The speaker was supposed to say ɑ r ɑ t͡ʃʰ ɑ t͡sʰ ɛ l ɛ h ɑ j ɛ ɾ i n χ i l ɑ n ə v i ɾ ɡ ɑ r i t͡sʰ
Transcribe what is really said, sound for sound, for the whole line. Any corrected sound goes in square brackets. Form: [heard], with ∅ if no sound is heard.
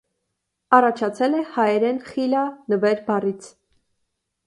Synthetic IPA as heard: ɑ r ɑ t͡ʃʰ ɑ t͡sʰ ɛ l ɛ h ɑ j ɛ ɾ [ɛ] n χ i l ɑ n ə v [ɛ] ɾ [b] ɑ r i t͡sʰ